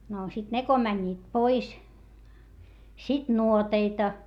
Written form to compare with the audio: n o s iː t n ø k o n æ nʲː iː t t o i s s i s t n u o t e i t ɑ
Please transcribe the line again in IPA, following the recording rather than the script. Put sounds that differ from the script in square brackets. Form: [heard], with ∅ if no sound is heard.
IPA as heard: n o s [i] t n [e] k o [m] æ nʲː iː t [p] o i s s i [∅] t n u o t e i t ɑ